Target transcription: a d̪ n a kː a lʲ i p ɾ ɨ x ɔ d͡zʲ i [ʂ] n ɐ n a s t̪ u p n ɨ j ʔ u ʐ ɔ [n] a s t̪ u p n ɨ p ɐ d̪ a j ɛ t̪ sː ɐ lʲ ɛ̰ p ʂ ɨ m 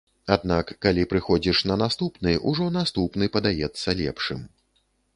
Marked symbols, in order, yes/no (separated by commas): yes, yes